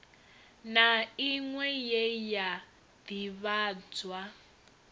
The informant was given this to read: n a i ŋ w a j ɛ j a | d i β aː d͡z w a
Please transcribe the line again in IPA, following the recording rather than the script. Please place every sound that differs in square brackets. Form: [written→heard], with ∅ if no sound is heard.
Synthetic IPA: n a i ŋ w [a→ɛ] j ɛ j a | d i β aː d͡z w a